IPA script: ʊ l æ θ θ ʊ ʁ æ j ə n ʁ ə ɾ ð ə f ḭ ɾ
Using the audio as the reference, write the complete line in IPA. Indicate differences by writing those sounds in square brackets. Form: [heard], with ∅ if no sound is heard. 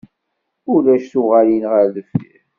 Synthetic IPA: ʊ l æ [ʃ] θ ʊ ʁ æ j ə n ʁ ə ɾ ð ə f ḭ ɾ